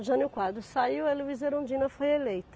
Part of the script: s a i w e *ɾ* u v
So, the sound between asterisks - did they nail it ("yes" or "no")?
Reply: no